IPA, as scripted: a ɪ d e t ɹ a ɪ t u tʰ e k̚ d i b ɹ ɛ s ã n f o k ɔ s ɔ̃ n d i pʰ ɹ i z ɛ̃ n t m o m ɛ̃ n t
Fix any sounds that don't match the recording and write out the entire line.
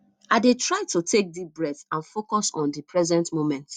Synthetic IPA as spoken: a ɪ d e t ɹ a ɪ t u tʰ e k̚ d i b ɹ ɛ θ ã n f o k ɔ s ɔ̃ n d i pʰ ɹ ɛ z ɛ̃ n t m o m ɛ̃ n t